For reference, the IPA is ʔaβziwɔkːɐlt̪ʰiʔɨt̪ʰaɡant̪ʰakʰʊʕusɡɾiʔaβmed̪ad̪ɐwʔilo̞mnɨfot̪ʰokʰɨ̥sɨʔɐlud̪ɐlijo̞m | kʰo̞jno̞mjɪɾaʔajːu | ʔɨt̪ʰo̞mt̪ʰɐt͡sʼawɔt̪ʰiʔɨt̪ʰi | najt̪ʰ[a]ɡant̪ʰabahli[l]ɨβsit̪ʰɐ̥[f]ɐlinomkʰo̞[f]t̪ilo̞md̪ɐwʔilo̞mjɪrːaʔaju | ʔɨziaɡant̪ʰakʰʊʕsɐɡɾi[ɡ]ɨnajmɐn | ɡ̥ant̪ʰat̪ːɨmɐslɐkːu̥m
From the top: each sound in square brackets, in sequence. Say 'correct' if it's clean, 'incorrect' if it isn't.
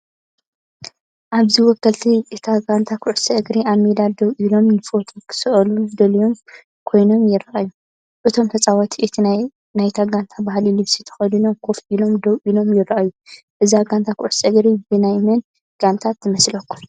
correct, correct, incorrect, correct, incorrect

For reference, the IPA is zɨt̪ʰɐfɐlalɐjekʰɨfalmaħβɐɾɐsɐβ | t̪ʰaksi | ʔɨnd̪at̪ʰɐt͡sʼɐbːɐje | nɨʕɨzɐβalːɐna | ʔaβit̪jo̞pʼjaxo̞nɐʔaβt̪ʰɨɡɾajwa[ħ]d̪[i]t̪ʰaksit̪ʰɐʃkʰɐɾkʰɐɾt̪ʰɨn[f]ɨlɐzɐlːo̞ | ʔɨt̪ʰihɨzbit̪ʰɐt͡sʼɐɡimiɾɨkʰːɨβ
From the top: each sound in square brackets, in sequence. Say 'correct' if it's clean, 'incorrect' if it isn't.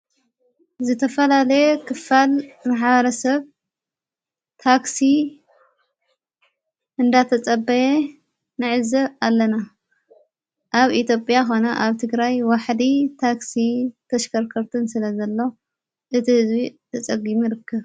correct, correct, incorrect

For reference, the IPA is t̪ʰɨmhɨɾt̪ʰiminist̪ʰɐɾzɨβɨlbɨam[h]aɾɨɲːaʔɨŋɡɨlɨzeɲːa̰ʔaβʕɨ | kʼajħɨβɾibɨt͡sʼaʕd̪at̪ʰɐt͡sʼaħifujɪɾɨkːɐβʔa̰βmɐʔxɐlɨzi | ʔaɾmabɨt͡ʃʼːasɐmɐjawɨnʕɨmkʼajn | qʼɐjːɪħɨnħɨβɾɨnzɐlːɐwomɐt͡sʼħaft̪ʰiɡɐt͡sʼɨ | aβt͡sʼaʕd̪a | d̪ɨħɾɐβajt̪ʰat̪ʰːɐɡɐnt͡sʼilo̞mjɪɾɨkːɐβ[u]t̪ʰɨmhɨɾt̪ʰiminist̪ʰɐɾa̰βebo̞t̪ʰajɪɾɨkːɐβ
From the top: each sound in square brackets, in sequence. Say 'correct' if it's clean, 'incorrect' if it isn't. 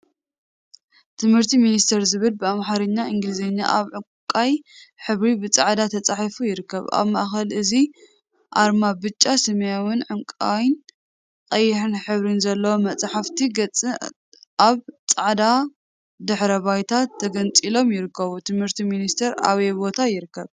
incorrect, correct

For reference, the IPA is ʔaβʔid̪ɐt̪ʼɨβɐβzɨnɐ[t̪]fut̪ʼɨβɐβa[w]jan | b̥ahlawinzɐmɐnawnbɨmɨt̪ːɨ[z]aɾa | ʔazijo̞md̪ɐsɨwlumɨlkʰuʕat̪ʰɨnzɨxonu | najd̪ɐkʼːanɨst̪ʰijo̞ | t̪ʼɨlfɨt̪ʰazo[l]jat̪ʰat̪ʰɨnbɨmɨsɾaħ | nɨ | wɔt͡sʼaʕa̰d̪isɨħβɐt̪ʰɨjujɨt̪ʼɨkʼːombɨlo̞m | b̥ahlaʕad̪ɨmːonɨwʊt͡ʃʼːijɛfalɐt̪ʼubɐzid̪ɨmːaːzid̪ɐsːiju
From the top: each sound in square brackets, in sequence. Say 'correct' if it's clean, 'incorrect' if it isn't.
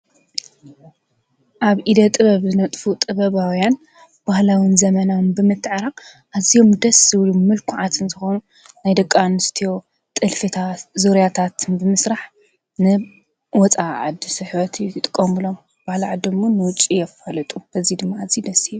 incorrect, correct, incorrect, incorrect

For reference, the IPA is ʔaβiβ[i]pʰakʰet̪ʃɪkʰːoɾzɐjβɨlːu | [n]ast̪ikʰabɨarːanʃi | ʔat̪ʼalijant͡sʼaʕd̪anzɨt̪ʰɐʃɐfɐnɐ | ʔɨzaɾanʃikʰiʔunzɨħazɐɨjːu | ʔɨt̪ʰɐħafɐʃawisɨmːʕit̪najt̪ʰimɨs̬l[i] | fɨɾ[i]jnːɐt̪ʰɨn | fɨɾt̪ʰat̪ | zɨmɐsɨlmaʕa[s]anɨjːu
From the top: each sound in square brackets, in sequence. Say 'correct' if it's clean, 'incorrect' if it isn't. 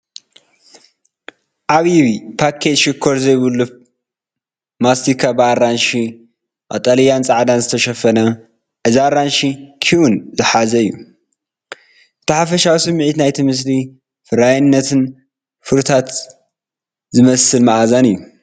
correct, incorrect, correct, incorrect, incorrect

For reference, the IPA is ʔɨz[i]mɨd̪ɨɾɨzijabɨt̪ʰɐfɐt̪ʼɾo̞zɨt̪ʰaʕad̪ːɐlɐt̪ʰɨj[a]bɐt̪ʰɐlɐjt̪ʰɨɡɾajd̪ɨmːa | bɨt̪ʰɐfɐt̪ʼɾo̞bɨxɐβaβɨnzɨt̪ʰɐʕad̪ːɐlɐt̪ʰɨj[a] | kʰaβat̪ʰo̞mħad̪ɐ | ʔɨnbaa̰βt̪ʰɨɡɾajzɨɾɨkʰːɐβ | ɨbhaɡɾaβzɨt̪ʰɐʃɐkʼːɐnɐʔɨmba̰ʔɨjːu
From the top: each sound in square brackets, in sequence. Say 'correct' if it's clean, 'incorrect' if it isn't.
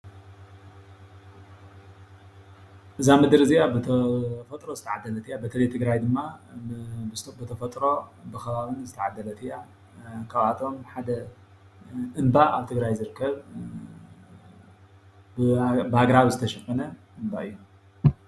incorrect, correct, correct

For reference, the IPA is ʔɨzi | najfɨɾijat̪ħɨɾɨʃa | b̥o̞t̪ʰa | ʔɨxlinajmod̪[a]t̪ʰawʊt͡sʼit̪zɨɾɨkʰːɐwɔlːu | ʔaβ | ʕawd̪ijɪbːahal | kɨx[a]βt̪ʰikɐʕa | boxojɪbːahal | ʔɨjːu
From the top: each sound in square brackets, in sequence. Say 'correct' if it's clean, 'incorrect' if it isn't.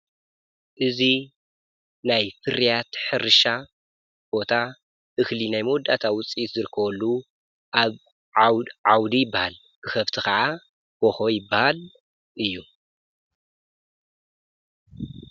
correct, incorrect

